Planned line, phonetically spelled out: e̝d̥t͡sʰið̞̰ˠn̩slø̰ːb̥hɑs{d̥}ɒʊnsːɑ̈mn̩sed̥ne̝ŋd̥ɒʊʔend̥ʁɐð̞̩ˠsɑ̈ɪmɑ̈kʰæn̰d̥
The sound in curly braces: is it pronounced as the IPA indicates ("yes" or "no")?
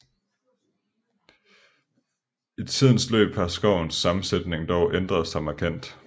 no